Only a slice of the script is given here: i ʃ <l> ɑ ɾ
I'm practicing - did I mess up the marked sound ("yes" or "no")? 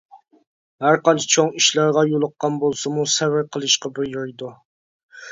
no